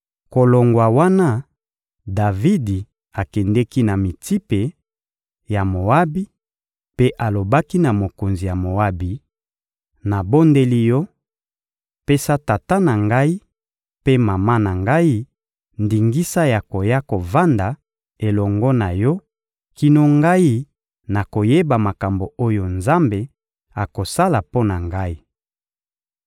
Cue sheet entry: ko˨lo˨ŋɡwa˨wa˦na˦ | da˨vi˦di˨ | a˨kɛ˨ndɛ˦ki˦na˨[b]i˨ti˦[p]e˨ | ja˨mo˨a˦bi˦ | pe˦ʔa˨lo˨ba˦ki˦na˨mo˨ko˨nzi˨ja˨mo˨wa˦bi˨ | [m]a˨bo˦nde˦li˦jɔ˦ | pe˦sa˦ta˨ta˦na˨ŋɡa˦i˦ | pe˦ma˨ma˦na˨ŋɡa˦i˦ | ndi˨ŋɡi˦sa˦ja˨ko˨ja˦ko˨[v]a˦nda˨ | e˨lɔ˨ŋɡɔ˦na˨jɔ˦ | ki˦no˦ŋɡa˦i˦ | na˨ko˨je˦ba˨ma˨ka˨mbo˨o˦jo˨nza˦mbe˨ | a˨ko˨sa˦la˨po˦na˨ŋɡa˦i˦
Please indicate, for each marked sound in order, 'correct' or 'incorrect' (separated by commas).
incorrect, correct, incorrect, correct